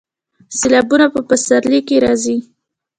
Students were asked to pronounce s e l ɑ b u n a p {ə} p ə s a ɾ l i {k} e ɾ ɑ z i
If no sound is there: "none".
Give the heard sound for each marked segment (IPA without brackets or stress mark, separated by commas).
ə, k